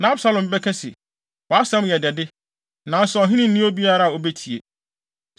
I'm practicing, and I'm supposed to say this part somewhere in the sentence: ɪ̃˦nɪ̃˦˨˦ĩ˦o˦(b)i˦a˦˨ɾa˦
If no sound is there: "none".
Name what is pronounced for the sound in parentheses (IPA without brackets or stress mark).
b